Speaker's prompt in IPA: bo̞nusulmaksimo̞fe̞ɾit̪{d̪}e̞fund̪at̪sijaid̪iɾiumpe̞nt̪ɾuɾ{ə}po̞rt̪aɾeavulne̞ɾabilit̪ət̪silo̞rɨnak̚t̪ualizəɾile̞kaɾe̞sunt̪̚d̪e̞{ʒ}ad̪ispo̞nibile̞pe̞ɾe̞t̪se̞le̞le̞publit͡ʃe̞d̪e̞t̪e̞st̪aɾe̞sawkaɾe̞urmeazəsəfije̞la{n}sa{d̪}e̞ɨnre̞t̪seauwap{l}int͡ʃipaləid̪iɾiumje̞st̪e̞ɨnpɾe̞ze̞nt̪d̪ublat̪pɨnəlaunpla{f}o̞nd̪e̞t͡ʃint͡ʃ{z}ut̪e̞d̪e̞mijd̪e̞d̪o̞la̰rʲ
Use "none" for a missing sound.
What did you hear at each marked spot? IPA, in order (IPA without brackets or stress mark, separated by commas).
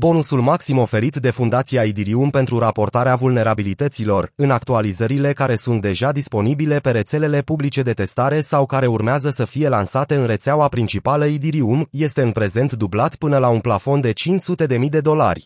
d̪, a, ʒ, n, t̪, ɾ, f, s